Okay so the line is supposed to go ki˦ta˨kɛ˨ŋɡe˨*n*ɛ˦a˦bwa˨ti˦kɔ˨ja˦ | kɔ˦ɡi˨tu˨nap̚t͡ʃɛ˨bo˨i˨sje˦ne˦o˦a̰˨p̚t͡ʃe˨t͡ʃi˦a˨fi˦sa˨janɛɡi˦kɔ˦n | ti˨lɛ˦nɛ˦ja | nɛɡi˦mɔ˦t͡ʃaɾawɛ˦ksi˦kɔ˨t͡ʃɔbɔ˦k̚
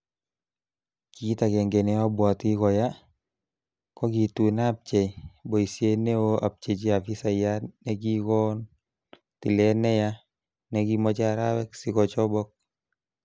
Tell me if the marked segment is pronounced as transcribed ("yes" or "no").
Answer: yes